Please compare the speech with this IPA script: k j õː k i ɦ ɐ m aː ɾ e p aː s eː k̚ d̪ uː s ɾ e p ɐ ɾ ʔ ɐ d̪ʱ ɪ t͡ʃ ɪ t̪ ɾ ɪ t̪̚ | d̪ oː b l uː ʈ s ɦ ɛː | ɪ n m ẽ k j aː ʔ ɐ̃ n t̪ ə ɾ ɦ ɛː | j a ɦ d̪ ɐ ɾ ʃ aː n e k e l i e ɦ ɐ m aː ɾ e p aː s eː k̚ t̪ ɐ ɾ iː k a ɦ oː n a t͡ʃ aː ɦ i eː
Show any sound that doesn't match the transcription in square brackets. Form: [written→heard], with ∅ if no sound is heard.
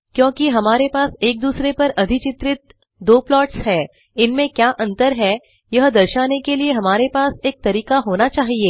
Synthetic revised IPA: k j õː k i ɦ ɐ m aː ɾ e p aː s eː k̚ d̪ uː s ɾ e p ɐ ɾ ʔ ɐ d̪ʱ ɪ t͡ʃ ɪ t̪ ɾ ɪ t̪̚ | d̪ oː [b→p] l [uː→ɔː] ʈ s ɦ ɛː | ɪ n m ẽ k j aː ʔ ɐ̃ n t̪ ə ɾ ɦ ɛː | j [a→ɐ] ɦ d̪ ɐ ɾ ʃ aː n e k e l i e ɦ ɐ m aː ɾ e p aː s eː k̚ t̪ ɐ ɾ iː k a ɦ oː n a t͡ʃ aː ɦ i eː

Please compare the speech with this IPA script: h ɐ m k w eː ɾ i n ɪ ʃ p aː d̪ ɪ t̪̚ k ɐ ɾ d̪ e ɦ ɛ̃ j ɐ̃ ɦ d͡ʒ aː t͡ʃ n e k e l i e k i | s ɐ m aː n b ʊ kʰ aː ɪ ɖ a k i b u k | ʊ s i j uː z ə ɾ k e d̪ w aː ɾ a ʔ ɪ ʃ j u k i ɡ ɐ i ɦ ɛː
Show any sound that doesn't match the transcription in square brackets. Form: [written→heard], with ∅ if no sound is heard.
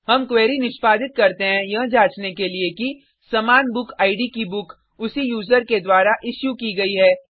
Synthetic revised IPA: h ɐ m k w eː ɾ i n ɪ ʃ p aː d̪ ɪ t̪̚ k ɐ ɾ [d̪→t̪] e ɦ ɛ̃ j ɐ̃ ɦ d͡ʒ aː t͡ʃ n e k e l i e k i | s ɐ m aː n b ʊ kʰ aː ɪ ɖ [a→i] k i b [u→ʊ] k | ʊ s i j uː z ə ɾ k e d̪ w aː ɾ a ʔ ɪ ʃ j u k i ɡ ɐ i ɦ ɛː

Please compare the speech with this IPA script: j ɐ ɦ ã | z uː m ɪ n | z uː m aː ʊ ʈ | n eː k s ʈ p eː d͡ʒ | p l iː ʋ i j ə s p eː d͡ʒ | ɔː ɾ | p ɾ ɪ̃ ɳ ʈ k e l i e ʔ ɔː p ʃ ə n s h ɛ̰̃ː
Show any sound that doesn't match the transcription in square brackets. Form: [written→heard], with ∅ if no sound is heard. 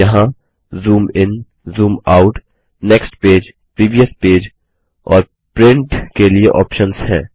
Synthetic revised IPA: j ɐ ɦ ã | z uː m ɪ n | z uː m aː ʊ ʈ | n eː k s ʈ p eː d͡ʒ | p [l→ɾ] iː ʋ i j ə s p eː d͡ʒ | ɔː ɾ | p ɾ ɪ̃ ɳ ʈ k e l i e ʔ ɔː p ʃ ə n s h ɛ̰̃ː

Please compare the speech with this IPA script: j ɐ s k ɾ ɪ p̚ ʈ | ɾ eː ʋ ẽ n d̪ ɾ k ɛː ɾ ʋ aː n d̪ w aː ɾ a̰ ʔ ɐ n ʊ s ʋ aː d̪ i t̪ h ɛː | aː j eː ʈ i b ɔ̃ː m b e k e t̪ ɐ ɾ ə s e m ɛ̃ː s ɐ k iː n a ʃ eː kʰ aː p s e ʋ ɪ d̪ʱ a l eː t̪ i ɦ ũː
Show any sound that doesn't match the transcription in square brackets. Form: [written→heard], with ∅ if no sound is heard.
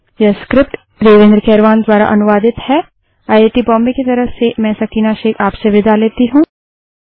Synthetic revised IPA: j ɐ s k ɾ ɪ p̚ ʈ | ɾ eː ʋ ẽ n d̪ ɾ k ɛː ɾ ʋ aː n d̪ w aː ɾ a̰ ʔ ɐ n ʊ [s→∅] ʋ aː d̪ [i→ɪ] t̪ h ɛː | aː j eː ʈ i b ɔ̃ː m b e k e t̪ ɐ ɾ ə s e m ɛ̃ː s ɐ k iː n a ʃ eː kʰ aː p s e ʋ ɪ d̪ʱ a l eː t̪ i ɦ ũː

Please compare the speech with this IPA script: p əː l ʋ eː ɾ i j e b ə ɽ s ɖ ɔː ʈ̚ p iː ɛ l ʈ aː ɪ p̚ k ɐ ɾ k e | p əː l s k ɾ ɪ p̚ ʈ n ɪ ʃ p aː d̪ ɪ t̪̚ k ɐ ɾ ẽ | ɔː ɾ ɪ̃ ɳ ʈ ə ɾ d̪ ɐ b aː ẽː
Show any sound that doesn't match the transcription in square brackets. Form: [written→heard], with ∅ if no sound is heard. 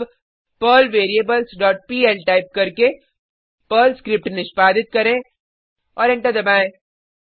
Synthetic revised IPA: p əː l ʋ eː ɾ i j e b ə [ɽ→l] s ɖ ɔː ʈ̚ p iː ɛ l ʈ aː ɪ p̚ k ɐ ɾ k e | p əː l s k ɾ ɪ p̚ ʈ n ɪ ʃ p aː d̪ ɪ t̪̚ k ɐ ɾ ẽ | ɔː ɾ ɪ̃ ɳ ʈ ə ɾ d̪ ɐ b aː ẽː

